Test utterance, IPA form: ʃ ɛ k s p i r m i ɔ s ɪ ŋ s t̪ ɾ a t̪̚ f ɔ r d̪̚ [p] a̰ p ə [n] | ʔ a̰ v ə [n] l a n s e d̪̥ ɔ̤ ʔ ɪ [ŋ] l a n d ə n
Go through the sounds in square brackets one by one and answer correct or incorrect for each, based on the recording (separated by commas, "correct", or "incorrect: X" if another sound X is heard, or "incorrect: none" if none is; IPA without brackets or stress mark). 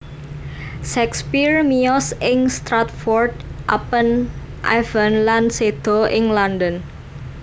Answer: incorrect: ʔ, correct, correct, correct